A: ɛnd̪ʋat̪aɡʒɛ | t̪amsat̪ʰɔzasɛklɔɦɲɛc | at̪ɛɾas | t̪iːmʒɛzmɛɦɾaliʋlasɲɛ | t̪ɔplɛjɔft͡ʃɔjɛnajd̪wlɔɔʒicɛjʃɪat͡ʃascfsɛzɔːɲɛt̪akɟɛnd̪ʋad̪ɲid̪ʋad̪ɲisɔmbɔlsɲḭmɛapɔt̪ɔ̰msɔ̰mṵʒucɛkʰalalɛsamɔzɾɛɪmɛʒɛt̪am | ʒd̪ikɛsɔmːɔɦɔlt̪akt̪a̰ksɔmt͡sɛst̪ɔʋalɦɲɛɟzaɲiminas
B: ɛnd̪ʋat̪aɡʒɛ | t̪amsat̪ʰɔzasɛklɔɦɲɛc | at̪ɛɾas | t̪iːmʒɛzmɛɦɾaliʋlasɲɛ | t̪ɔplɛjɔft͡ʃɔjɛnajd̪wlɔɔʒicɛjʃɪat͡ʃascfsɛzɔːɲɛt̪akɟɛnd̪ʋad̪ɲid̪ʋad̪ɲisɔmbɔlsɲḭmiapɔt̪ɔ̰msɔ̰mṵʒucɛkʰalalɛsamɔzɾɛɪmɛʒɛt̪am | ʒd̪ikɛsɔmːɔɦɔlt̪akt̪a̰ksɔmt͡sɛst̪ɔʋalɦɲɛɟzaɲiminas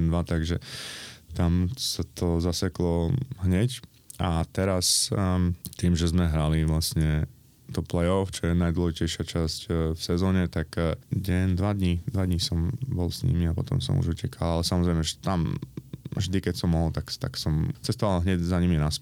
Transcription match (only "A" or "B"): B